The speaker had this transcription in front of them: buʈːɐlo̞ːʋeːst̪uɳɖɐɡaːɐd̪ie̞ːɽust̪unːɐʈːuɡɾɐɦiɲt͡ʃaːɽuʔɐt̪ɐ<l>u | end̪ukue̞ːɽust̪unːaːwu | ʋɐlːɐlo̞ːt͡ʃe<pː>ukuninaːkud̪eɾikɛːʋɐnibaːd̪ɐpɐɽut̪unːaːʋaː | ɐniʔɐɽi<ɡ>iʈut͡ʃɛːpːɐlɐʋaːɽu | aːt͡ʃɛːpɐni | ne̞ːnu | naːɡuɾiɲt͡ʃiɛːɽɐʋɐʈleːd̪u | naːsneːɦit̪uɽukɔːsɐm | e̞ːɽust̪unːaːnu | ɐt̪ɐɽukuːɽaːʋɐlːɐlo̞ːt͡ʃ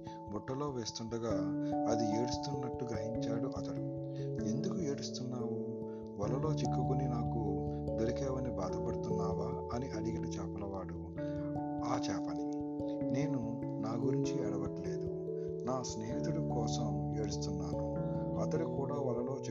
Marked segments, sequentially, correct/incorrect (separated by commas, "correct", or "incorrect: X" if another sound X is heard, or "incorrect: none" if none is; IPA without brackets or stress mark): incorrect: ɽ, incorrect: kː, correct